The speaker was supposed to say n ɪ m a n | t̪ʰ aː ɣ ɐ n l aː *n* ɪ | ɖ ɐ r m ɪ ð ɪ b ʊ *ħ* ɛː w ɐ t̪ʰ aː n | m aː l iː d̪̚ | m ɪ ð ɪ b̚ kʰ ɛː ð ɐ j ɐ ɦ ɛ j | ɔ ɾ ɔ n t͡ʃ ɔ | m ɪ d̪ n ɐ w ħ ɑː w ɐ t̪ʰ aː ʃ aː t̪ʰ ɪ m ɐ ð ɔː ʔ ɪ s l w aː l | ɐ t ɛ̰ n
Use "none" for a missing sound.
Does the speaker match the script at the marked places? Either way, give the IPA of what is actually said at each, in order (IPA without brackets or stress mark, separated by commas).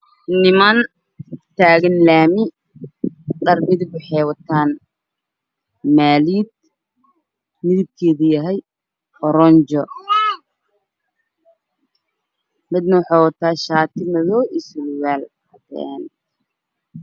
m, ħ